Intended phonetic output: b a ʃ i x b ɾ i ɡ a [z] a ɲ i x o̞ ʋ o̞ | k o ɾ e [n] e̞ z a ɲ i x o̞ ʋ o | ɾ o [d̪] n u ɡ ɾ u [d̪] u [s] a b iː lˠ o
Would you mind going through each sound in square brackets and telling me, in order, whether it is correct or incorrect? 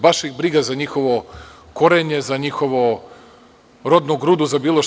correct, incorrect: ɲ, correct, correct, incorrect: z

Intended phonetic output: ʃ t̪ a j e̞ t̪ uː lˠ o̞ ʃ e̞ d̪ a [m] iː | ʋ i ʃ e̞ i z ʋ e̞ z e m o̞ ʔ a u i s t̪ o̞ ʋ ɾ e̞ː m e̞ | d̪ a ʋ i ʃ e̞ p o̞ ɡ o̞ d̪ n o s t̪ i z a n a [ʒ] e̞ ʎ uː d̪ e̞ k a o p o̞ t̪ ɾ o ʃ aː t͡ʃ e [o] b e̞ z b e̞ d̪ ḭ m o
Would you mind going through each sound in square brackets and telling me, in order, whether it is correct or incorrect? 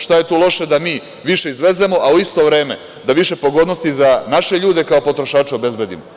correct, incorrect: ʃ, correct

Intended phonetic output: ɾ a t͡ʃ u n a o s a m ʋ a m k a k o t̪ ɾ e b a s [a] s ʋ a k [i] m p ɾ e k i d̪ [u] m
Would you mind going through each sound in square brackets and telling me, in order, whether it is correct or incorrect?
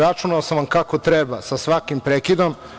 correct, correct, incorrect: o

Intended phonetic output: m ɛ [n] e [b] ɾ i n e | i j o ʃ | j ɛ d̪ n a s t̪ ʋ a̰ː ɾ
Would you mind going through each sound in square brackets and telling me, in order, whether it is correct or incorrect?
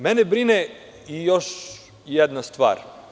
correct, correct

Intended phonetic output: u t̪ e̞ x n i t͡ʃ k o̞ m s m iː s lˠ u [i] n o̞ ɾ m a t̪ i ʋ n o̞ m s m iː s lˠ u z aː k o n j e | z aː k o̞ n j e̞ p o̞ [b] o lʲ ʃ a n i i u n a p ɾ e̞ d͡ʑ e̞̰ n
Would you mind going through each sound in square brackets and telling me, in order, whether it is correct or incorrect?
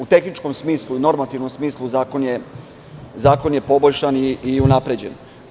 correct, correct

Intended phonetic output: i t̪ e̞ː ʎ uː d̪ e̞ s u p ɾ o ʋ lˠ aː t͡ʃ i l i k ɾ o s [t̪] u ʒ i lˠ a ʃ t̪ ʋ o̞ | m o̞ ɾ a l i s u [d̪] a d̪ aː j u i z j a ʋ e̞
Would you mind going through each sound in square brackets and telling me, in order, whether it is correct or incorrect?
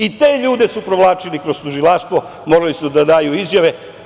correct, correct

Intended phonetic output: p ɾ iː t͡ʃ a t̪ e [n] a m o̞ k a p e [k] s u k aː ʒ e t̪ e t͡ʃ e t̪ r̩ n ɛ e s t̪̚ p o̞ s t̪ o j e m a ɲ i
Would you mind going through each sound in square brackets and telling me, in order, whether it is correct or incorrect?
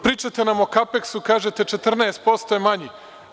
correct, correct

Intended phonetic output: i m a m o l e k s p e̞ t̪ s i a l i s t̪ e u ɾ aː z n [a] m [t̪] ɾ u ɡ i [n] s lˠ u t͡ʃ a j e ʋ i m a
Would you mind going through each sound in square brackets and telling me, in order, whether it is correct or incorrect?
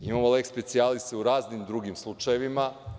incorrect: i, incorrect: d̪, incorrect: m

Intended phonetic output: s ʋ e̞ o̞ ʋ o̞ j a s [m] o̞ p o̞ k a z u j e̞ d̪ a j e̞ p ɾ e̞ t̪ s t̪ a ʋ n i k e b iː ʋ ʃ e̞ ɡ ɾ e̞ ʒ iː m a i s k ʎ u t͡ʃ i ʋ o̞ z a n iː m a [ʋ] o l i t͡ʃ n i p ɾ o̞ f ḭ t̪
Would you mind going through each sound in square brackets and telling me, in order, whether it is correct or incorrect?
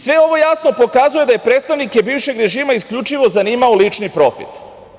incorrect: n, incorrect: none

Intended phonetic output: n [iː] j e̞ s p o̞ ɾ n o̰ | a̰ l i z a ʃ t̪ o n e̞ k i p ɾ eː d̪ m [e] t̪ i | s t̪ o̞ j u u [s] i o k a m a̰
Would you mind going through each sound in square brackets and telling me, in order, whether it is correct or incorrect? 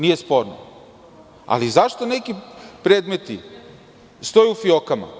incorrect: i, correct, incorrect: f

